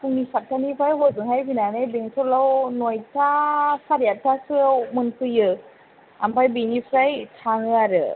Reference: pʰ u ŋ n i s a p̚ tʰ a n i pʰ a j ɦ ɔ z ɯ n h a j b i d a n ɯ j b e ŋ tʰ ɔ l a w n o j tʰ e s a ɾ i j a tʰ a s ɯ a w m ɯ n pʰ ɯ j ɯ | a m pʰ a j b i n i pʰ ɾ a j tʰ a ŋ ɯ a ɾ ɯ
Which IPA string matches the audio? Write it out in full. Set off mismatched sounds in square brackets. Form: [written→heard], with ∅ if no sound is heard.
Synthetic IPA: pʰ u ŋ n i s a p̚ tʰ a n i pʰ a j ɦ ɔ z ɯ [n→ŋ] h a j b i [d→n] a n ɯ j b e ŋ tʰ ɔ l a w n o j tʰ [e→a] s a ɾ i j a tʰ a s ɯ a w m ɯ n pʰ ɯ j ɯ | a m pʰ a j b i n i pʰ ɾ a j tʰ a ŋ ɯ a ɾ ɯ